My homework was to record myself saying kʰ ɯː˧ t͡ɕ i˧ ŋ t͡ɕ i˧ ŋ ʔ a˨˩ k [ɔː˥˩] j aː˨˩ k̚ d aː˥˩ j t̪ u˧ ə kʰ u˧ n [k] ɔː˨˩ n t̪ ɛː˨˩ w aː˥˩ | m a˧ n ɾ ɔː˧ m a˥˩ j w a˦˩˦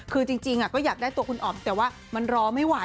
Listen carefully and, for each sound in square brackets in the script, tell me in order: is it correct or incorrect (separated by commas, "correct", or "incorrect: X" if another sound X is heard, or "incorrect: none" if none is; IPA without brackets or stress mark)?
correct, incorrect: ʔ